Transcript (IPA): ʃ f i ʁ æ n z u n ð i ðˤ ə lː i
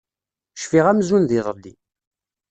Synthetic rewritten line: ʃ f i ʁ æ m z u n ð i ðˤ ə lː i